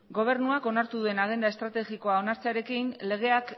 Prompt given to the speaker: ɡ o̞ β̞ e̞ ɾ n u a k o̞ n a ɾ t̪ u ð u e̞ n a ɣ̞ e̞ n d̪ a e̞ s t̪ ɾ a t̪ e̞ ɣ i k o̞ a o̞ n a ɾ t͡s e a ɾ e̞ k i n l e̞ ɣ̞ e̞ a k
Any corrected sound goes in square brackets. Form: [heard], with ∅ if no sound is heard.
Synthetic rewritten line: ɡ o̞ β̞ e̞ ɾ n u a k o̞ n a ɾ t̪ u ð u e̞ n a ɣ̞ e̞ n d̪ a e̞ s t̪ ɾ a t̪ e̞ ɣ i k o̞ a o̞ n a ɾ t͡s e a ɾ e̞ k i n l e̞ ɣ̞ e̞ a k